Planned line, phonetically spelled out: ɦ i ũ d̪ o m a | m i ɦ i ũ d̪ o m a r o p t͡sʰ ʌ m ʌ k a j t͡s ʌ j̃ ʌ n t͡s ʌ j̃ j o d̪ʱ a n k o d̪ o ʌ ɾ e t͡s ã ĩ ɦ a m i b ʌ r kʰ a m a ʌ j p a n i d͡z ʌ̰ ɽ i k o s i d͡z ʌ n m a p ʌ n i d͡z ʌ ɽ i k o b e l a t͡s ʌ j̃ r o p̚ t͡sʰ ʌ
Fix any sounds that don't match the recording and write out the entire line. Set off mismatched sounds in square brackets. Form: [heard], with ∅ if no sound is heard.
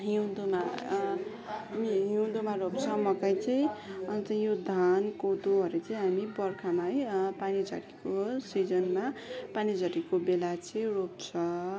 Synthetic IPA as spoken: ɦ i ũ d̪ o m a | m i ɦ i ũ d̪ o m a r o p t͡sʰ ʌ m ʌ k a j t͡s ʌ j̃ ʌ n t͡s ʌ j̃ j o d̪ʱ a n k o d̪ o ʌ ɾ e t͡s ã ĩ ɦ a m i b ʌ r kʰ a m a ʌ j p a n i d͡z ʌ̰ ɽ i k o s i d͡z ʌ n m a p [a] n i d͡z ʌ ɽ i k o b e l a t͡s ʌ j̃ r o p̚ t͡sʰ ʌ